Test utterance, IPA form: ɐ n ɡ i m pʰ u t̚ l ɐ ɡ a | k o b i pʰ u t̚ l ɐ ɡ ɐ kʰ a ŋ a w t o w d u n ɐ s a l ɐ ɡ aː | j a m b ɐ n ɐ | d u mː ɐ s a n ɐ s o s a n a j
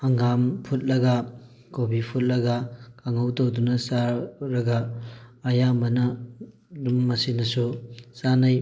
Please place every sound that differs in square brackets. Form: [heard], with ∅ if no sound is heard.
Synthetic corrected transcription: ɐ [ŋ] ɡ [a] m pʰ u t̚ l ɐ ɡ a | k o b i pʰ u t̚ l ɐ ɡ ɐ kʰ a ŋ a w t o w d u n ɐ s a [ɾ] ɐ ɡ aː | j a m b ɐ n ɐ | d u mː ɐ s [i] n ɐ s [u] s a n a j